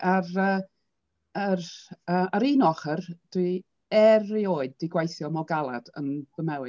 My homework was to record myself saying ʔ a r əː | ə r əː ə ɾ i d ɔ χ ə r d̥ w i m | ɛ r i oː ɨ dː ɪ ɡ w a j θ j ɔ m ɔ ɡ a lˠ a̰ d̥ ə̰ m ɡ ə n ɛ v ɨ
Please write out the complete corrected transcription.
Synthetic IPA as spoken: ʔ a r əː | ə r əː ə ɾ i n ɔ χ ə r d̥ w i | ɛ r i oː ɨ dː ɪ ɡ w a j θ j ɔ m ɔ ɡ a lˠ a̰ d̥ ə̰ n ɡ ə m ɛ w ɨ